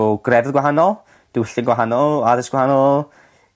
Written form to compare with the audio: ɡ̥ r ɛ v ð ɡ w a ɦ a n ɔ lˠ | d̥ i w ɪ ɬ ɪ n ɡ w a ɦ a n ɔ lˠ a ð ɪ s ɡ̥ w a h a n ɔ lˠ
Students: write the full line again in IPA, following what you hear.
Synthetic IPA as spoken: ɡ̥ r ɛ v ð ɡ w a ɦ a n ɔ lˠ | d̥ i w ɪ ɬ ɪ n ɡ w a ɦ a n ɔ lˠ a ð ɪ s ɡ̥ w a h a n ɔ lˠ